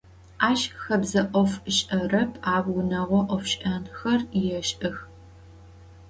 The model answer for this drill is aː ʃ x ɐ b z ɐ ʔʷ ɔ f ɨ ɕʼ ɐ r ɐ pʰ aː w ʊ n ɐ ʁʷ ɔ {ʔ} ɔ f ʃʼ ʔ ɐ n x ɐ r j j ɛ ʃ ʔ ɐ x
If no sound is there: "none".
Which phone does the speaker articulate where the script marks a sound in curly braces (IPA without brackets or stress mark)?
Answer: ʔ